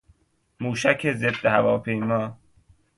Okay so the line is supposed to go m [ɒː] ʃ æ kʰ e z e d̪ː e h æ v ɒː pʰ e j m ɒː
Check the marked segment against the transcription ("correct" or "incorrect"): incorrect